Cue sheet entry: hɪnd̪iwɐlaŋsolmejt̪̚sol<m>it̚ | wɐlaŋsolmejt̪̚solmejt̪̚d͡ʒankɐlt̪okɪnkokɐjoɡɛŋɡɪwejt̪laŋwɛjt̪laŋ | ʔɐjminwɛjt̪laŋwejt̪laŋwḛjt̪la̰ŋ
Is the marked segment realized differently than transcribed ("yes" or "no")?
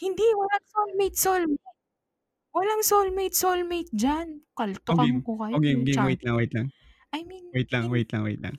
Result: no